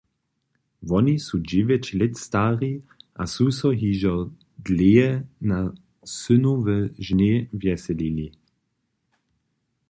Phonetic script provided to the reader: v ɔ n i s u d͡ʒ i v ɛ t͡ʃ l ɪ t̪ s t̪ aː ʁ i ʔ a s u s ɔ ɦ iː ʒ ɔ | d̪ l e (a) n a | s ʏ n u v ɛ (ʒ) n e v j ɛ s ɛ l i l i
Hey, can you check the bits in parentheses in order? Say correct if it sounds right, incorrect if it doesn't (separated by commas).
incorrect, correct